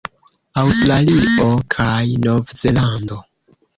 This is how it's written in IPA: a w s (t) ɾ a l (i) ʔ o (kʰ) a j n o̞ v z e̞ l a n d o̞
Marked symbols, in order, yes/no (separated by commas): yes, yes, yes